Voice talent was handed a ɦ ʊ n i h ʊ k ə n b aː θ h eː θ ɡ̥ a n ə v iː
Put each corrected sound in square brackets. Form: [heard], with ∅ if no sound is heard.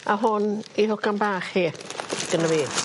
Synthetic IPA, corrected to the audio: a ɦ ʊ n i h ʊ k [a] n b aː [χ] h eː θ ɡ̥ [ə] n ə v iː